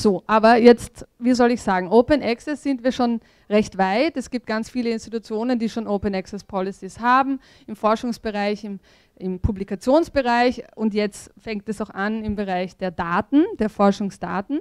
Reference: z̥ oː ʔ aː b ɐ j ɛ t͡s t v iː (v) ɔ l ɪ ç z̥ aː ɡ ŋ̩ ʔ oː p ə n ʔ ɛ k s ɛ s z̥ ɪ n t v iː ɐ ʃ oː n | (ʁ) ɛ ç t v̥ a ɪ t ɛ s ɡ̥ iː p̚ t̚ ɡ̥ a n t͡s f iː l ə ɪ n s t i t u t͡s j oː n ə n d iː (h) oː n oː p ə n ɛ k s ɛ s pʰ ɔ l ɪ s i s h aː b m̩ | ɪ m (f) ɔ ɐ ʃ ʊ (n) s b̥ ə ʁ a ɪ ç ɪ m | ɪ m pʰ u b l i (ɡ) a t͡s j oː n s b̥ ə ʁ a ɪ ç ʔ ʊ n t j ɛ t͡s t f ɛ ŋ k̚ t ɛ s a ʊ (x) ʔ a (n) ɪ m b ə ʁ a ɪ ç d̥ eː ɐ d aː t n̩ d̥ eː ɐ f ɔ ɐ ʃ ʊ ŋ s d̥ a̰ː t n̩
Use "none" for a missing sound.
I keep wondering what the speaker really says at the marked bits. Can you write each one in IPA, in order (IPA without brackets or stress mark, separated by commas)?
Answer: z, ʁ, ʃ, f, ŋ, k, x, n